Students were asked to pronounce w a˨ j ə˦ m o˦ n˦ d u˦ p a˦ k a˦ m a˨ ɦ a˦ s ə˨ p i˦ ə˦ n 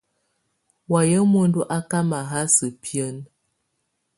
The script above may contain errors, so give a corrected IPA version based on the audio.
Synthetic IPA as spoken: w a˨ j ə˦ m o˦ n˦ d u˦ ʔ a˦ k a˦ m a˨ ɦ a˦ s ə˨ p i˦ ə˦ n